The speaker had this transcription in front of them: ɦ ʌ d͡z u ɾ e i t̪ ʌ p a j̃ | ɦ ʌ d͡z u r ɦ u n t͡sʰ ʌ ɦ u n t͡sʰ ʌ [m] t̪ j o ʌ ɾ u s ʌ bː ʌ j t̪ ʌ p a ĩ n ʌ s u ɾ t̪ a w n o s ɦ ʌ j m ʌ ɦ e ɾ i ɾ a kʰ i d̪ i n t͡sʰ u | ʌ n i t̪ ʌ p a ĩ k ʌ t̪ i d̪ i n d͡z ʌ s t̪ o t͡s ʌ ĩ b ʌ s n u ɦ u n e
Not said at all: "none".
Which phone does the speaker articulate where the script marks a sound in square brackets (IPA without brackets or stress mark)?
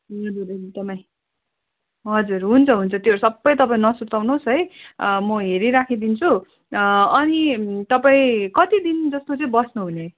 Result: none